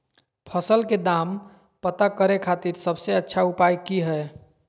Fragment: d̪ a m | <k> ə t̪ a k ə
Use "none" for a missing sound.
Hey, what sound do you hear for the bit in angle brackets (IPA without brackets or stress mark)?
p